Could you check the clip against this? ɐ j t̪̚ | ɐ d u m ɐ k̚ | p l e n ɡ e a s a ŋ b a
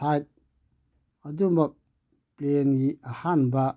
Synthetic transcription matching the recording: a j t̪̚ | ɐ d u m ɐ k̚ | p l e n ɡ i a h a n b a